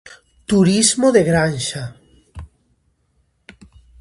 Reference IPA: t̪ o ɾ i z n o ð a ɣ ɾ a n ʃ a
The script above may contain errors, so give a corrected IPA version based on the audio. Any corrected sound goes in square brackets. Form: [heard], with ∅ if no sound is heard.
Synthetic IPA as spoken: t̪ [u] ɾ i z [m] o ð [e] ɣ ɾ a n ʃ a